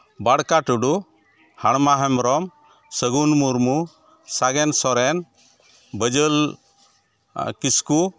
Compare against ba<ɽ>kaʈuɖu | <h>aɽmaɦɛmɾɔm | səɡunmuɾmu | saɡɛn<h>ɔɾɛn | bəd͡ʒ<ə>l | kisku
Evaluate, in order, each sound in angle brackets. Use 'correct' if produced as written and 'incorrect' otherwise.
correct, correct, incorrect: s, correct

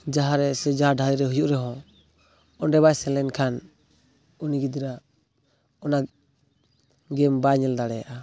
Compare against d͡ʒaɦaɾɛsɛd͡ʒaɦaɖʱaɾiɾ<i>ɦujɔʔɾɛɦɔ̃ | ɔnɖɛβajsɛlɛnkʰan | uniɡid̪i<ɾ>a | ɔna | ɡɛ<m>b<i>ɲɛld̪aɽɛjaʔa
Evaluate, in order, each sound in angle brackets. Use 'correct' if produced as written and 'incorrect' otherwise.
incorrect: ɛ, correct, correct, incorrect: a

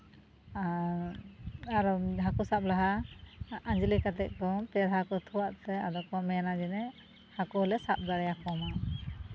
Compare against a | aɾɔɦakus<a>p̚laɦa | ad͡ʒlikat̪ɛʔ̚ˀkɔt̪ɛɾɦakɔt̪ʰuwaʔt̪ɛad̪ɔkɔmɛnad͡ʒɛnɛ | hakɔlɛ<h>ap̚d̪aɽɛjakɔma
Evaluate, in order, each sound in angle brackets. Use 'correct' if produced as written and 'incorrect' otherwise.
correct, incorrect: s

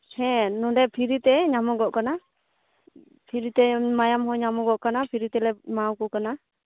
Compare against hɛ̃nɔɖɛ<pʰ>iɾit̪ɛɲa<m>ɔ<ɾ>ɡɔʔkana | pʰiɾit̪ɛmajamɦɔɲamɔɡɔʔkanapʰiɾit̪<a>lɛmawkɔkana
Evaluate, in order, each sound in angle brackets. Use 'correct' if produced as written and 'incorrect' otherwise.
correct, correct, incorrect: none, incorrect: ɛ

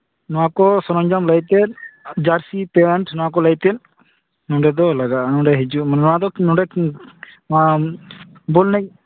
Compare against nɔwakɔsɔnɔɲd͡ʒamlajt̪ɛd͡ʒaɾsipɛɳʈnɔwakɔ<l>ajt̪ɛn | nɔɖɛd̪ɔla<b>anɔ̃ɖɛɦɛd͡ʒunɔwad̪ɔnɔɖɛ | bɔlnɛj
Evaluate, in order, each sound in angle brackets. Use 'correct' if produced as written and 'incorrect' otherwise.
correct, incorrect: ɡ

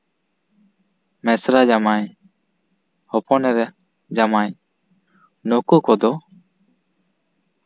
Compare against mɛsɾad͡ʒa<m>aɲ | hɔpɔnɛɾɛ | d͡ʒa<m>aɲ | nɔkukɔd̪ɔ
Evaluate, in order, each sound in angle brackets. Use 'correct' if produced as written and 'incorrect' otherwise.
correct, correct

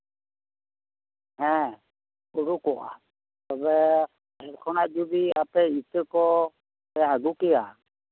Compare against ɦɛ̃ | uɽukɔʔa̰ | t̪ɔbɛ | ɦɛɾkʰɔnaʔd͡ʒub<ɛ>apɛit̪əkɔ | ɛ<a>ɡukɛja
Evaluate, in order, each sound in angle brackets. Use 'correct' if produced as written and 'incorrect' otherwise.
incorrect: i, correct

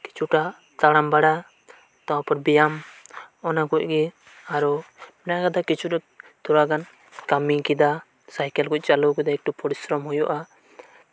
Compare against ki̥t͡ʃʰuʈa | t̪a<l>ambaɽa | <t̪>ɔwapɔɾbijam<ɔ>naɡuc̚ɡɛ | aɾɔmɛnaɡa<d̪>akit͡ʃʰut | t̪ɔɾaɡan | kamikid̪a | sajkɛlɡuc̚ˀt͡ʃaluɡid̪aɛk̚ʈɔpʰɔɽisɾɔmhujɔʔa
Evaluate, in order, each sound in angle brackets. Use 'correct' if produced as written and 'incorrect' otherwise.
incorrect: ɽ, correct, correct, correct

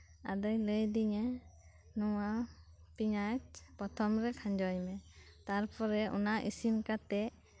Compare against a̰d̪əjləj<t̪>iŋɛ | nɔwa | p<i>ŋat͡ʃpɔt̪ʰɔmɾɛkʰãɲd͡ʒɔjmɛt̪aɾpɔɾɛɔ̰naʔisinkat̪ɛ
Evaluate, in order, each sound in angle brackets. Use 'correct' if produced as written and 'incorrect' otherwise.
incorrect: d̪, correct

